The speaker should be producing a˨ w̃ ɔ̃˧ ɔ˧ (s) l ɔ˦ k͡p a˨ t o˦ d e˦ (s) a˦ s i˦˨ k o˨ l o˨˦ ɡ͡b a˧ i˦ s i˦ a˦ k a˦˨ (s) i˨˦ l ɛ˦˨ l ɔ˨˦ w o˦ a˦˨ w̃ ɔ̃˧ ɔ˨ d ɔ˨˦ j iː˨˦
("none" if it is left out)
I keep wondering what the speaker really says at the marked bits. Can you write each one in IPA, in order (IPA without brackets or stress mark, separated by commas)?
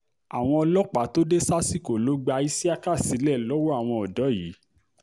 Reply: none, s, s